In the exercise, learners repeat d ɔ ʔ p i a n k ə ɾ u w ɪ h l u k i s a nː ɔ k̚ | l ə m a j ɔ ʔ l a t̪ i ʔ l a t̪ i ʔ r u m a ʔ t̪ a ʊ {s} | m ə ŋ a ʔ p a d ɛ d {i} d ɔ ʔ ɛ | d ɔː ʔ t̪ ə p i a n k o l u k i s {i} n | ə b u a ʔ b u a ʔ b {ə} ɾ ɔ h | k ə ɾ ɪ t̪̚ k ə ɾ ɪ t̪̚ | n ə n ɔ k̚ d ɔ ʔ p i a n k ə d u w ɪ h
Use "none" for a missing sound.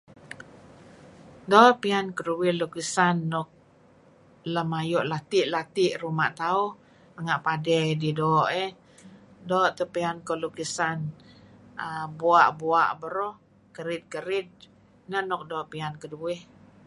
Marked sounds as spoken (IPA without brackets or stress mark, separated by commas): h, i, a, ə